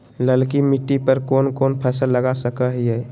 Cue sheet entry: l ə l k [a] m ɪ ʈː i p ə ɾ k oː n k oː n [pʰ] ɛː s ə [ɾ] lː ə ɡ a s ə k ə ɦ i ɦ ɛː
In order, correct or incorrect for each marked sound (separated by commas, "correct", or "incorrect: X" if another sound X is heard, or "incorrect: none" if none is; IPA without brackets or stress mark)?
incorrect: i, correct, incorrect: none